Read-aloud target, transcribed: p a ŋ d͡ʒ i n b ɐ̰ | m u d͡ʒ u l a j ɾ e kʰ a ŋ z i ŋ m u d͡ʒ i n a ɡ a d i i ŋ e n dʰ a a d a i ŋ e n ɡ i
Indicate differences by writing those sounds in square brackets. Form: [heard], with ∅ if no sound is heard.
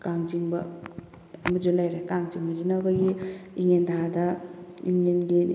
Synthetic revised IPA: [k] a ŋ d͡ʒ i [ŋ] b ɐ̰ | m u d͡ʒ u l a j ɾ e [k] a ŋ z i ŋ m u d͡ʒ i n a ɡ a [ɡ] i i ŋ e n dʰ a a d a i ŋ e n ɡ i